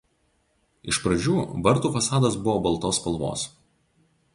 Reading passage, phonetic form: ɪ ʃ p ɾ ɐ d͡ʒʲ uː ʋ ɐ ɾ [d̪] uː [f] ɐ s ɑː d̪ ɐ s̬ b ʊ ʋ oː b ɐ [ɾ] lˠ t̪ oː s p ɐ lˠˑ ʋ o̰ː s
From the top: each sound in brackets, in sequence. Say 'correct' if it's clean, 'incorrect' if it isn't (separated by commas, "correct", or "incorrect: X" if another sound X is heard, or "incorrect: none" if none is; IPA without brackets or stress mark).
incorrect: t̪, correct, incorrect: none